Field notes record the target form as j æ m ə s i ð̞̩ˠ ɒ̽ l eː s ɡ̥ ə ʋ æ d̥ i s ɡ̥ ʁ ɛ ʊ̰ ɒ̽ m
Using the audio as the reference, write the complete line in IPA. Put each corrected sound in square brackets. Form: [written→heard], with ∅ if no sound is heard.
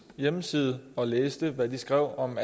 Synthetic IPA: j [æ→e] m ə s i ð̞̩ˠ ɒ̽ l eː s [ɡ̥→d̥] ə ʋ æ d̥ i s ɡ̥ ʁ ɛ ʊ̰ ɒ̽ m